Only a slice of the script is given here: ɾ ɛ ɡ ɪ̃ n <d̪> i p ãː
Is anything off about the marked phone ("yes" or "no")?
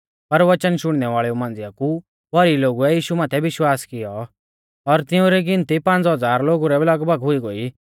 yes